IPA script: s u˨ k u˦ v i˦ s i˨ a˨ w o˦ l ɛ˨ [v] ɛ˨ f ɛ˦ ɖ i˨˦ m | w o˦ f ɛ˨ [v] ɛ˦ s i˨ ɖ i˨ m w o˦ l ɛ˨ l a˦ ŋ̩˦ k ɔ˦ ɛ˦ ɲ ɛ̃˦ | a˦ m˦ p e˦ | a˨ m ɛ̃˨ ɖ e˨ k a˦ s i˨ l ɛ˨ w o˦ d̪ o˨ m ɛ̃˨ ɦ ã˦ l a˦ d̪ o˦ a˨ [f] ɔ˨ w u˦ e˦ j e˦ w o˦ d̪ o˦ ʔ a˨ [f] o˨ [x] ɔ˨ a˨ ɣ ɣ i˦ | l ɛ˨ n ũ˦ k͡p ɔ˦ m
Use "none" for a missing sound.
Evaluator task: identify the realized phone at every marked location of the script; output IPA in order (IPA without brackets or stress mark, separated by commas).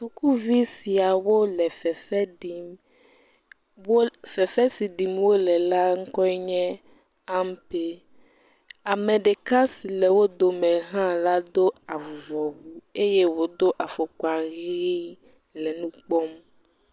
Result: f, f, v, f, k